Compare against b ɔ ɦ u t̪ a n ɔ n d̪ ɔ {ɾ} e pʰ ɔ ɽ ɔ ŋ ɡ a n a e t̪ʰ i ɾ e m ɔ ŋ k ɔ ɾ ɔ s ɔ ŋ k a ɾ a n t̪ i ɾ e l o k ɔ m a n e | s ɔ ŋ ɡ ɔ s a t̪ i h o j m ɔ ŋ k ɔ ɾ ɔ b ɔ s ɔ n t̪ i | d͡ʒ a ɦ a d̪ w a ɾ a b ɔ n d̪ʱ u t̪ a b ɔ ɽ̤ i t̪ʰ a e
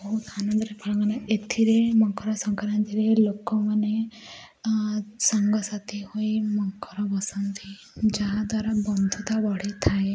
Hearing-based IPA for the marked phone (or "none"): ɾ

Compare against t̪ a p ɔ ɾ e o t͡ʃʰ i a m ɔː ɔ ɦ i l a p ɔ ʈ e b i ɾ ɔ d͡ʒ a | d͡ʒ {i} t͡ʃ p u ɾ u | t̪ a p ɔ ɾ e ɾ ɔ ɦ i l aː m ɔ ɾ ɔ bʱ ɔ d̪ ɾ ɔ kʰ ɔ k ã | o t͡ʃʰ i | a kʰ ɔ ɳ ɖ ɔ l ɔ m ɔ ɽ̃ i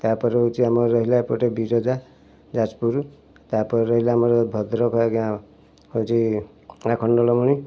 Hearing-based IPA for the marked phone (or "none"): a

